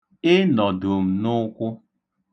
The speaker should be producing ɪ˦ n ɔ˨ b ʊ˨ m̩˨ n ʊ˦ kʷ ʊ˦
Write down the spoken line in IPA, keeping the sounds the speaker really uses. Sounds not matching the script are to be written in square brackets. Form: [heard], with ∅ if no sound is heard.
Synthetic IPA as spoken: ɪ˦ n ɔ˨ [d] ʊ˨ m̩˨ n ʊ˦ kʷ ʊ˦